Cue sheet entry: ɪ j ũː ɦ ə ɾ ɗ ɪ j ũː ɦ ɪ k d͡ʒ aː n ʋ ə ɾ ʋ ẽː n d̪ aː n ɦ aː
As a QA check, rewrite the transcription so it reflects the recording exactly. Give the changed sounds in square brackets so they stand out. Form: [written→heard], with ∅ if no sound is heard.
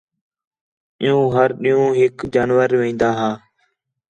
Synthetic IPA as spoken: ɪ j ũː ɦ ə ɾ ɗ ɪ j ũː ɦ ɪ k d͡ʒ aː n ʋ ə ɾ ʋ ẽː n d̪ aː [n→∅] ɦ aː